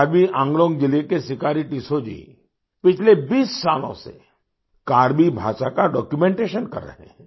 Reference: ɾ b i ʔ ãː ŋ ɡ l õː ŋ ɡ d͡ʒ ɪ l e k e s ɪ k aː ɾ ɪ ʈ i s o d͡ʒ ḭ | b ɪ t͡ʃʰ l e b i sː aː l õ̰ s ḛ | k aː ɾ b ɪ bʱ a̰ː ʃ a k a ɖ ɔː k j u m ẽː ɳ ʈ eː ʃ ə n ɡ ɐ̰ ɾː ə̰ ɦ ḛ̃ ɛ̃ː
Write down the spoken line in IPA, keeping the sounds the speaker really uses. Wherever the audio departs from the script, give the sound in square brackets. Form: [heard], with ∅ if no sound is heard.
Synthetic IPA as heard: ɾ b i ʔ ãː ŋ ɡ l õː ŋ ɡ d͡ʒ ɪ l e k e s ɪ k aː ɾ [i] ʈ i s o d͡ʒ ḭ | [p] ɪ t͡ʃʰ l e b [iː] sː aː l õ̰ s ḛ | k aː ɾ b [i] bʱ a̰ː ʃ a k a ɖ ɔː k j u m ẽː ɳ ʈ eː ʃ ə n [k] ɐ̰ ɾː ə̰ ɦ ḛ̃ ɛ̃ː